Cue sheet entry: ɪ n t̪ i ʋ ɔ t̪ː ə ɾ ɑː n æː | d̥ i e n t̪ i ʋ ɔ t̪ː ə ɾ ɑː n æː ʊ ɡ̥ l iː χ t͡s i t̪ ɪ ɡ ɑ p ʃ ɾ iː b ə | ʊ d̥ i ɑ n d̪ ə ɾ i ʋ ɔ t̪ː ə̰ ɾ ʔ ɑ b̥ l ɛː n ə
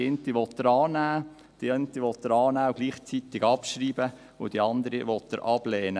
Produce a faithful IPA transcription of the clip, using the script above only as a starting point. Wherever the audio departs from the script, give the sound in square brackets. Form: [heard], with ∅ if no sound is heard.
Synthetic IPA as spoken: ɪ n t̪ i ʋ ɔ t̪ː ə ɾ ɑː n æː | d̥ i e n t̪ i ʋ ɔ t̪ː ə ɾ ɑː n æː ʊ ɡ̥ l iː χ t͡s i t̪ ɪ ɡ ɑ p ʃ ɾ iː b ə | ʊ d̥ i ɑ n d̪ ə ɾ i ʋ ɔ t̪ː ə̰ ɾ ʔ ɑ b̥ l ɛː n ə